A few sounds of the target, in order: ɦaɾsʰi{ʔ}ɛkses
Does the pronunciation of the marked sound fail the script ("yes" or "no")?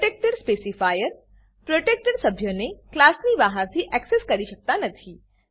no